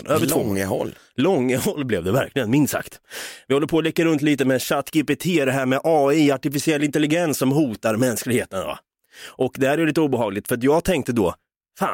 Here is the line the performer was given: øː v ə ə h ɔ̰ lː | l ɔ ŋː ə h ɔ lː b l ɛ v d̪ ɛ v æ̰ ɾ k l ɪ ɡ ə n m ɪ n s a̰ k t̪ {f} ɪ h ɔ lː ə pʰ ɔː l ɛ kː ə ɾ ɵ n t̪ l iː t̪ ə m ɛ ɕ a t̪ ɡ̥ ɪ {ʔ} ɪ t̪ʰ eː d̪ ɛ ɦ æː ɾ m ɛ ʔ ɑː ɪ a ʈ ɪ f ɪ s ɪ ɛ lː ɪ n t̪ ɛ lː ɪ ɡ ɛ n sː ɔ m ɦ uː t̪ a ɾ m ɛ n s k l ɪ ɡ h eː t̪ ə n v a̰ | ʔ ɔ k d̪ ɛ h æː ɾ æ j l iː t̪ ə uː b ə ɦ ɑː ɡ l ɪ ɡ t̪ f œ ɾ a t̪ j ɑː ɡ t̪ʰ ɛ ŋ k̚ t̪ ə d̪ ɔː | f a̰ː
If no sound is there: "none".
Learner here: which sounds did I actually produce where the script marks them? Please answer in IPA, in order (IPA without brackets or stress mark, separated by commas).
v, p